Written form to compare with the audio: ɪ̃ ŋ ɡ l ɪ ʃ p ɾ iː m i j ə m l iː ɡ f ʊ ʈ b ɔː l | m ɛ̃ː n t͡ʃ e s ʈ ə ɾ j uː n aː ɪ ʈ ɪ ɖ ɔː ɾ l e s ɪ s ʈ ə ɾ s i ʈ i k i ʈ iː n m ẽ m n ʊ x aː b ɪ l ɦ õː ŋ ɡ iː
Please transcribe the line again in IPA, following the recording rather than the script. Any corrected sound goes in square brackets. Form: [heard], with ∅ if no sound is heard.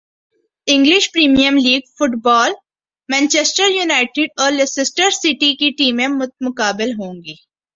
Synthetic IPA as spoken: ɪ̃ ŋ ɡ l ɪ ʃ p ɾ iː m i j ə m l iː ɡ f ʊ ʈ b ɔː l | m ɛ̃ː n t͡ʃ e s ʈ ə ɾ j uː n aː ɪ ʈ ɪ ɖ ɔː ɾ l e s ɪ s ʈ ə ɾ s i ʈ i k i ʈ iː [∅] m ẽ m [m] ʊ [k] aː b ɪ l ɦ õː ŋ ɡ iː